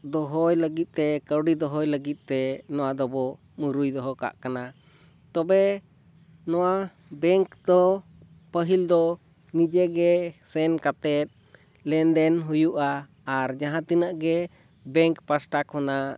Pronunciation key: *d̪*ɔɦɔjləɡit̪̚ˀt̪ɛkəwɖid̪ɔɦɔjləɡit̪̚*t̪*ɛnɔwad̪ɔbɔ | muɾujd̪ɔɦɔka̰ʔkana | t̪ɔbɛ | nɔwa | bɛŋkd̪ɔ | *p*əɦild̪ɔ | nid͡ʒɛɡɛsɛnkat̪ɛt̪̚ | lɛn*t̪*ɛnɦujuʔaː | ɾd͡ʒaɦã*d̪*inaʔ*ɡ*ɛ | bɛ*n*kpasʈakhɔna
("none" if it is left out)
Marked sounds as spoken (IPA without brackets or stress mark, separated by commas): d̪, t̪, p, d̪, t̪, ɡ, ŋ